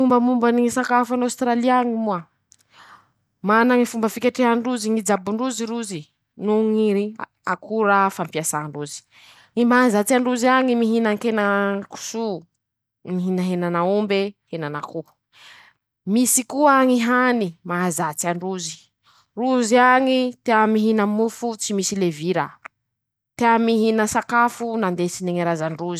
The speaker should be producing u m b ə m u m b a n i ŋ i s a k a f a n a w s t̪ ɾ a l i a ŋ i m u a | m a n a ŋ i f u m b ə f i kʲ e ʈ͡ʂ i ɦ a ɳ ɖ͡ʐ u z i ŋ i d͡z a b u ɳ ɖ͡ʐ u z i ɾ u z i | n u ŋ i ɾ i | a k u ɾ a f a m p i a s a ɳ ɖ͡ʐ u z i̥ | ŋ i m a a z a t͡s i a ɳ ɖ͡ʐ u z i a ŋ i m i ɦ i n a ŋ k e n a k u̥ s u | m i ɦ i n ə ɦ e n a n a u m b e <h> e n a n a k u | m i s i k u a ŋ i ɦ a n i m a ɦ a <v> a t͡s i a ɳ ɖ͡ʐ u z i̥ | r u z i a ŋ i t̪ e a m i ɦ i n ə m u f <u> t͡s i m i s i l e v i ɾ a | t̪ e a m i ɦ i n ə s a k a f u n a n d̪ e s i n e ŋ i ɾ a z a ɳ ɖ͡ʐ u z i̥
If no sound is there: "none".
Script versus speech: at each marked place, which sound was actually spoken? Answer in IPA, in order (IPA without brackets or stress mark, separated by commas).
h, z, u